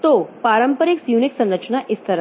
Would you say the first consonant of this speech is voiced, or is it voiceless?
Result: voiceless